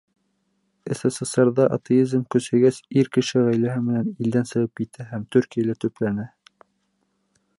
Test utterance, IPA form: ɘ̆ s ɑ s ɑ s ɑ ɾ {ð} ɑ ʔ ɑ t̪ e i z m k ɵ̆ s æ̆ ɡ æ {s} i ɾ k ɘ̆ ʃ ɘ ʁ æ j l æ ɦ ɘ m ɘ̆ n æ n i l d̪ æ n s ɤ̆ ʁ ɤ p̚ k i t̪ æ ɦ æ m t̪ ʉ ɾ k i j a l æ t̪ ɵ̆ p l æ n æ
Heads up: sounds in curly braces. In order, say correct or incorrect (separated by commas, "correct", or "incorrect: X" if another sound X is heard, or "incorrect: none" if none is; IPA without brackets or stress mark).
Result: correct, correct